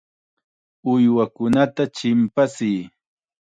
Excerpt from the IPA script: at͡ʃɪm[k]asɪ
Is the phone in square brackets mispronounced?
yes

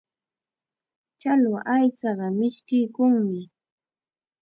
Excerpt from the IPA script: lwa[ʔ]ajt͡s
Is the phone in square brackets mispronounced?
no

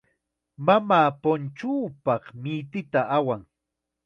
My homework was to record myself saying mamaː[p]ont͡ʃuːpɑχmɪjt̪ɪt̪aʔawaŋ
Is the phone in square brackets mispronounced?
no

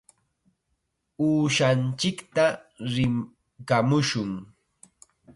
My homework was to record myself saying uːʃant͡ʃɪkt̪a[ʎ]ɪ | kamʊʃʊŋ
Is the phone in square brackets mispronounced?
yes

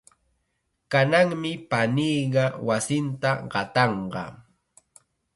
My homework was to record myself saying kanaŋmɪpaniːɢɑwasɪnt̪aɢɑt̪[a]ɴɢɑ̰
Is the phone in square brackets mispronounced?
yes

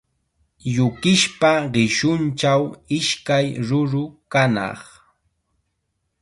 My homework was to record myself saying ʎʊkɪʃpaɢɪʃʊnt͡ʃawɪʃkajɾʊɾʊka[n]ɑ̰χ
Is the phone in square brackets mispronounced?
no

